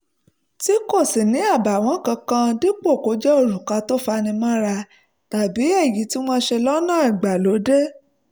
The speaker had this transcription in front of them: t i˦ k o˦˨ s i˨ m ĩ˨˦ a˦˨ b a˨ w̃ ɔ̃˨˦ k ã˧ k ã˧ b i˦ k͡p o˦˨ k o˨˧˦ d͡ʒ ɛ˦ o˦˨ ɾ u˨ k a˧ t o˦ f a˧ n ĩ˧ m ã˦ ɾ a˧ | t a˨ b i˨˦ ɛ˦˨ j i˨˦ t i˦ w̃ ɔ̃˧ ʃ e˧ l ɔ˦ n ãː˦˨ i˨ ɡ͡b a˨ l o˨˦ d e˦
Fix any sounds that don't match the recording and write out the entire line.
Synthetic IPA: t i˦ k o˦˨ s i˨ n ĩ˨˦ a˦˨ b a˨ w̃ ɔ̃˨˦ k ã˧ k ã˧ d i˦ k͡p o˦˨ k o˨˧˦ d͡ʒ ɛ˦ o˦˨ ɾ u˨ k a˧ t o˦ f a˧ n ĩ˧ m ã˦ ɾ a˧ | t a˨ b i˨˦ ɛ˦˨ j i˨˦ t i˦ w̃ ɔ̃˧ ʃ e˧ l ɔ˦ n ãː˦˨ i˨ ɡ͡b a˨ l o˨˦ d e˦